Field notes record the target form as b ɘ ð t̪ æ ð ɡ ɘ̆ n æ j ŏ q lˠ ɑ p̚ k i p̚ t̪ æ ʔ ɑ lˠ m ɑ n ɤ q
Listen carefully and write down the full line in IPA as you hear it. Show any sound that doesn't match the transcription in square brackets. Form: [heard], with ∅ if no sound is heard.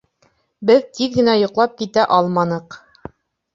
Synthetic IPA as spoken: b ɘ ð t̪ [i] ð ɡ ɘ̆ n æ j ŏ q lˠ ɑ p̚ k i [∅] t̪ æ ʔ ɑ lˠ m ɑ n ɤ q